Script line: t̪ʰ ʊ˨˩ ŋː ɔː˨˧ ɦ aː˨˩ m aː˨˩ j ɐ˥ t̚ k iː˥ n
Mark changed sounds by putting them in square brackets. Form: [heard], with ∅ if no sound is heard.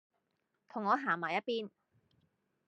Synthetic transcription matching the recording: t̪ʰ ʊ˨˩ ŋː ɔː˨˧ ɦ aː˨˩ m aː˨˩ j ɐ˥ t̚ [p] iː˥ n